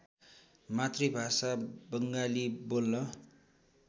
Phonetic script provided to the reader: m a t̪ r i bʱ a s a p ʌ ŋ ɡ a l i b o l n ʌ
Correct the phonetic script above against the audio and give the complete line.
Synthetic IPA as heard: m a t̪ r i bʱ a s a b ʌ ŋ ɡ a l i b o l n ʌ